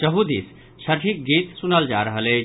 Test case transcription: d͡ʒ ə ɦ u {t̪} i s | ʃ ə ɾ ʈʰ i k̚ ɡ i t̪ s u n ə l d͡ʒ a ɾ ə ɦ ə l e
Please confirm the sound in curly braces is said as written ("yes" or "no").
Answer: no